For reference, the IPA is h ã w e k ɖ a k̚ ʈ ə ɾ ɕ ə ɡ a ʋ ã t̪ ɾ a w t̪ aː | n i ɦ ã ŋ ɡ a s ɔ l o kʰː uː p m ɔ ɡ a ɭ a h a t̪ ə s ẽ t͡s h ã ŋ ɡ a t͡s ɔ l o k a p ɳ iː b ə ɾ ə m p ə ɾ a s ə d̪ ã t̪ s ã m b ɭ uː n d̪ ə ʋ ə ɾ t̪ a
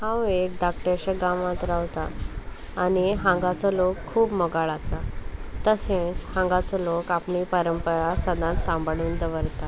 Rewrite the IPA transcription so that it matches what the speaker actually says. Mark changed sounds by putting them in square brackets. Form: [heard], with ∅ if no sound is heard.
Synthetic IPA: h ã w e k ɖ a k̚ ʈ ə ɾ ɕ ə ɡ a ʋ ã t̪ ɾ a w t̪ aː | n i ɦ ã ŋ ɡ a [t͡s] ɔ l o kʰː uː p m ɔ ɡ a ɭ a [s] a t̪ ə s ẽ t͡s h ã ŋ ɡ a t͡s ɔ l o k a p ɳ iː [p] ə ɾ ə m p ə ɾ a s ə d̪ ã t̪ s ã m b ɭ uː n d̪ ə ʋ ə ɾ t̪ a